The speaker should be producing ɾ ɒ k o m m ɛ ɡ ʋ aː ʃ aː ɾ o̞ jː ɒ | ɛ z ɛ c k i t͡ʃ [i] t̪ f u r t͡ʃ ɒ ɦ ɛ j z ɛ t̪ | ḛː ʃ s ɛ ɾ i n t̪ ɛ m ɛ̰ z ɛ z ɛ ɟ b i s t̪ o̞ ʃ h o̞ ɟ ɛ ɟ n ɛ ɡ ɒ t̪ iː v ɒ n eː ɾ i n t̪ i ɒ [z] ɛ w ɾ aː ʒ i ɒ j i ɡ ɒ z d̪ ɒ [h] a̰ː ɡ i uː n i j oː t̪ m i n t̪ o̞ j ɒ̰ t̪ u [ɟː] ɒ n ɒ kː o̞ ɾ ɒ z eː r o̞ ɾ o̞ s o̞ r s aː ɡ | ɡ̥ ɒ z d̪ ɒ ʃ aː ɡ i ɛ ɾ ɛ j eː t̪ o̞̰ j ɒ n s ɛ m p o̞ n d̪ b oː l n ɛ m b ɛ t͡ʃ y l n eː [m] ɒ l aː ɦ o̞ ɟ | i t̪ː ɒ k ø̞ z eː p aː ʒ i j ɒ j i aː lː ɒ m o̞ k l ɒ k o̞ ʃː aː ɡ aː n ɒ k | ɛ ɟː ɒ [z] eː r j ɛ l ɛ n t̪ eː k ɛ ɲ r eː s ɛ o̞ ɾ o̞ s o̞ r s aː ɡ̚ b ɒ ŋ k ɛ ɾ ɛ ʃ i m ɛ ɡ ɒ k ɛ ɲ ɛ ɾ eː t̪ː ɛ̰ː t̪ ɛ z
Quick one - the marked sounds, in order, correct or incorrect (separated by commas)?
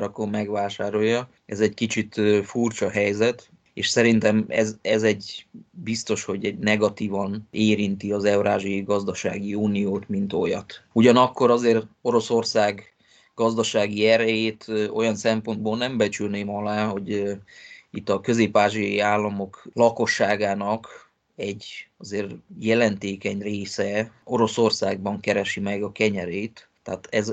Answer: correct, correct, incorrect, incorrect, correct, correct